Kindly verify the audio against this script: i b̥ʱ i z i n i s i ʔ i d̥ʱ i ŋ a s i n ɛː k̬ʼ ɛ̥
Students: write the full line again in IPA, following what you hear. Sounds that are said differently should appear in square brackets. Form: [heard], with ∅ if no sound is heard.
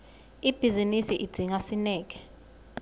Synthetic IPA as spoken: i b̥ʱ i z i n i s i ʔ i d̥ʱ i ŋ a s i n ɛː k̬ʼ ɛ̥